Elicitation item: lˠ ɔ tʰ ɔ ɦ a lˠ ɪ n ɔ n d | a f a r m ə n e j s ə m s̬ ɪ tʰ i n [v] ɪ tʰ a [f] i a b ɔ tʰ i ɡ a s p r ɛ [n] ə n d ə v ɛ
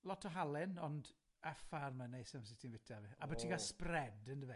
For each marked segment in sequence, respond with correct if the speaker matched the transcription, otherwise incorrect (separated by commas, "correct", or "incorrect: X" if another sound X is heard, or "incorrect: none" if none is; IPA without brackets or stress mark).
correct, incorrect: v, incorrect: d